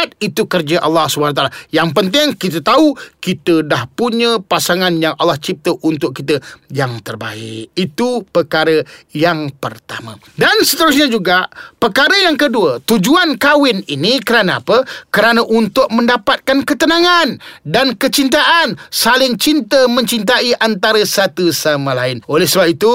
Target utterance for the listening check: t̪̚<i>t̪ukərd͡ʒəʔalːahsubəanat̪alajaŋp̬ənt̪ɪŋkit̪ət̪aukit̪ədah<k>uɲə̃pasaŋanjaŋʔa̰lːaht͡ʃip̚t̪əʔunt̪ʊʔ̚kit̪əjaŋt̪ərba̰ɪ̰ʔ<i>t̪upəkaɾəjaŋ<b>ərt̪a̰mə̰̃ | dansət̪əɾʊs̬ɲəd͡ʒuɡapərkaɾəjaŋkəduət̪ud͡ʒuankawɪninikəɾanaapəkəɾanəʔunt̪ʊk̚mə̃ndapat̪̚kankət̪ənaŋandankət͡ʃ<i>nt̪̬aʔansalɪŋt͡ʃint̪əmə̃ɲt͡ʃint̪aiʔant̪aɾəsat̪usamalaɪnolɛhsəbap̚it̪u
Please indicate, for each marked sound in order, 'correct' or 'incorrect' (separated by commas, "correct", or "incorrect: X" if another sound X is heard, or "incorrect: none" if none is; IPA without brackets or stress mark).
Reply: correct, incorrect: p, correct, incorrect: p, correct